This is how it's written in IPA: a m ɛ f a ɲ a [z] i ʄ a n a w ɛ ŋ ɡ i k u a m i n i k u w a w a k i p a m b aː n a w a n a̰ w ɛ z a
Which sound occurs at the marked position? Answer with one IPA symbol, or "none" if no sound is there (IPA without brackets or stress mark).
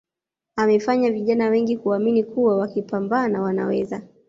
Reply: v